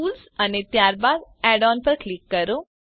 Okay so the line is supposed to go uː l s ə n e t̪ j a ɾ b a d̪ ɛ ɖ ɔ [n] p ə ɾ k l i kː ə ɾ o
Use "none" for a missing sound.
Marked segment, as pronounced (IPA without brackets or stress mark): n